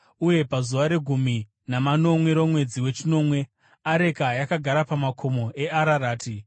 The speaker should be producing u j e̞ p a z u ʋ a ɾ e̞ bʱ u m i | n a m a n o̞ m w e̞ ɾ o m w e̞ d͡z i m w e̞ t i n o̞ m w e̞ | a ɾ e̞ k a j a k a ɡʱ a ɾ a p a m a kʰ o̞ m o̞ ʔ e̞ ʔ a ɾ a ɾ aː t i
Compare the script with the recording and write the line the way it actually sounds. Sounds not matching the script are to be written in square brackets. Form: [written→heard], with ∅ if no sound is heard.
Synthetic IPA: u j e̞ p a z u ʋ a ɾ e̞ [bʱ→ɡʱ] u m i | n a m a n o̞ m w e̞ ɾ o m w e̞ d͡z i [m→∅] w e̞ [t→t͡ʃ] i n o̞ m w e̞ | a ɾ e̞ k a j a k a ɡʱ a ɾ a p a m a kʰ o̞ m o̞ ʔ e̞ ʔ a ɾ a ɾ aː t i